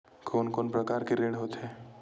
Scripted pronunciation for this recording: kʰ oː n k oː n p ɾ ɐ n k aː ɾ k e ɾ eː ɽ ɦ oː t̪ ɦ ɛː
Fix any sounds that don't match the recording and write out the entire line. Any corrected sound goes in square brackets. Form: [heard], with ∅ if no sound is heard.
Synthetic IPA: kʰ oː n k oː n p ɾ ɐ [∅] k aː ɾ k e ɾ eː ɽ ɦ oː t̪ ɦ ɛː